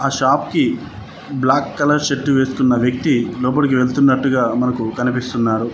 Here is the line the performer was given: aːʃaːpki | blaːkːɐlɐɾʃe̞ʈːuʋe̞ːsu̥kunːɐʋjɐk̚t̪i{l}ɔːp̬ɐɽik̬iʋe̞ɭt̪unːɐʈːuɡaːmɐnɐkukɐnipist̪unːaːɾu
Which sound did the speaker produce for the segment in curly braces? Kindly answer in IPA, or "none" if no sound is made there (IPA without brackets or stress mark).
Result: l